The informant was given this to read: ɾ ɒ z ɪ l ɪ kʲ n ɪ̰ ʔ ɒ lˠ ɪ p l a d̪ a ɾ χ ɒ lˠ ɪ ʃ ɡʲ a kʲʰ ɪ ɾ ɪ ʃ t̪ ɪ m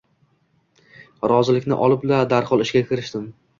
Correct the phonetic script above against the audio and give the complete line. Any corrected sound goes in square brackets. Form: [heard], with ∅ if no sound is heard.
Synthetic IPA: ɾ ɒ z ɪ l ɪ kʲ n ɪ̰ ʔ ɒ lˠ ɪ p l a d̪ a ɾ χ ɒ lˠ ɪ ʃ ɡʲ a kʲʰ ɪ ɾ ɪ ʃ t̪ ɪ m